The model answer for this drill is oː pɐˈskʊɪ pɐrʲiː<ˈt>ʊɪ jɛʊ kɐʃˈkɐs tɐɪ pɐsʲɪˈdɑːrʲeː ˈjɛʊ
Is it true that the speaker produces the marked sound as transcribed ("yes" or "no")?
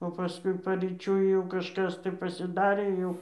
no